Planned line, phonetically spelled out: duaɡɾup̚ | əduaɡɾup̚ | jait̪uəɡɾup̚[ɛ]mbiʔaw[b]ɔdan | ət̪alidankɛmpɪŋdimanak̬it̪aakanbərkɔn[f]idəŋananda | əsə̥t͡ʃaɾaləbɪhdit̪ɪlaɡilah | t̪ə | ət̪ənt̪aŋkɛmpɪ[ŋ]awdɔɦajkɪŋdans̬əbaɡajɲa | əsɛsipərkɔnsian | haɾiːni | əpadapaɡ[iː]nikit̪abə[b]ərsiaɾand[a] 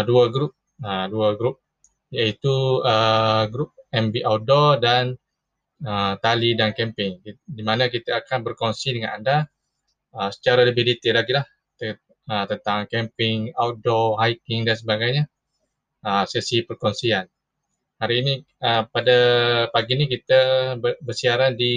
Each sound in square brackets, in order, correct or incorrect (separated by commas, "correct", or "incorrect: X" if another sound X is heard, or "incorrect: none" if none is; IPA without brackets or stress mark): correct, incorrect: d, incorrect: s, correct, incorrect: i, correct, incorrect: i